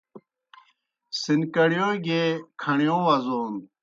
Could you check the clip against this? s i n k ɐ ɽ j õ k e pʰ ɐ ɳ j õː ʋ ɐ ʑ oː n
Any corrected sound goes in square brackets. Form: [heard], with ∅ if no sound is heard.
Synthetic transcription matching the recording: s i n k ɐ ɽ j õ [ɡ] e [kʰ] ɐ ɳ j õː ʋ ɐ [z] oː n